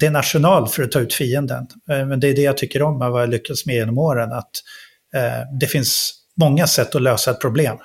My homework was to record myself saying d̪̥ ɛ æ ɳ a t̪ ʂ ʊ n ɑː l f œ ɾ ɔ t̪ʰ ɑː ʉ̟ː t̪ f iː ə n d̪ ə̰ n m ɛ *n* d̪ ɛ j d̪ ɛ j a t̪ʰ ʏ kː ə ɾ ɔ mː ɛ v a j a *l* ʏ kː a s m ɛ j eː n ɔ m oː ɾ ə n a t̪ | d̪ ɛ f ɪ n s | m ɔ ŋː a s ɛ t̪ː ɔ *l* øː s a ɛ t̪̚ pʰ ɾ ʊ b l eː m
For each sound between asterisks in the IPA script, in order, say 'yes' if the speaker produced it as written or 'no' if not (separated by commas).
yes, yes, yes